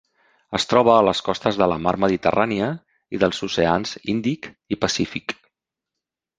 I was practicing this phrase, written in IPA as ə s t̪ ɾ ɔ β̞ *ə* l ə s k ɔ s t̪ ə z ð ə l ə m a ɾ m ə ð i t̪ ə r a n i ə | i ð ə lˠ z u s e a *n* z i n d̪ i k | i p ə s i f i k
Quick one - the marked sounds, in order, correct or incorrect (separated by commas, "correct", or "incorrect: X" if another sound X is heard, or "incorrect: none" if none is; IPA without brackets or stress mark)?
incorrect: əː, correct